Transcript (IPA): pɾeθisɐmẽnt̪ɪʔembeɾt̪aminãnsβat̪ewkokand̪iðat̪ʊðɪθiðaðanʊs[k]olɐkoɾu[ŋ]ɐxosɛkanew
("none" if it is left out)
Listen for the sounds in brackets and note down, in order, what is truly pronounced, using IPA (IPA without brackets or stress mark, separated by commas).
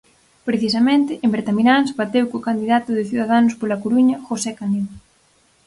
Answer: p, ɲ